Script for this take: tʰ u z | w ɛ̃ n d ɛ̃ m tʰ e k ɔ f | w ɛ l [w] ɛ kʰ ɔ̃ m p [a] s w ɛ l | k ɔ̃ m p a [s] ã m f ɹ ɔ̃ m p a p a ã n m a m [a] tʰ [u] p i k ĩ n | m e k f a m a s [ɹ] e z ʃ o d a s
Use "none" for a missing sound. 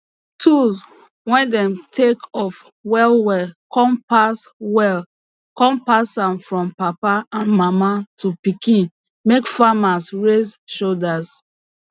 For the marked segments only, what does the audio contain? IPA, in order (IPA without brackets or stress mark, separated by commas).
w, a, s, a, u, ɹ